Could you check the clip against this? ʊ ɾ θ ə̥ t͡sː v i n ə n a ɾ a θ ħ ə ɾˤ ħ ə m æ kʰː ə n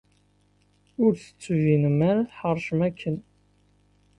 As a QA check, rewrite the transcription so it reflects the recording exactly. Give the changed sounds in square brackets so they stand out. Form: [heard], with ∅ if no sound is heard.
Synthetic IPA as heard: ʊ ɾ θ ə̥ t͡sː v i n ə [m] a ɾ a θ ħ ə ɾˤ [ʃ] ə m æ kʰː ə n